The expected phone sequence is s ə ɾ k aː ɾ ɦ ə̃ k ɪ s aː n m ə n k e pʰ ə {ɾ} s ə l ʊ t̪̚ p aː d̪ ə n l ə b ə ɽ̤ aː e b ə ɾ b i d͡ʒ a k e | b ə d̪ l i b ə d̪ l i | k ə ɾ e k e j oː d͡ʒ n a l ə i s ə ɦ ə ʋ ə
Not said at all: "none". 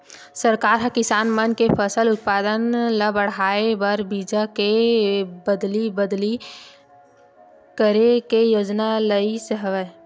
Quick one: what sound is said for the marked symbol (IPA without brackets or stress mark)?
none